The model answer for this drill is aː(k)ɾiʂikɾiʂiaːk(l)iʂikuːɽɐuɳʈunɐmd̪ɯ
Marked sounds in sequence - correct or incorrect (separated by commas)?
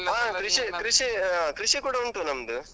correct, incorrect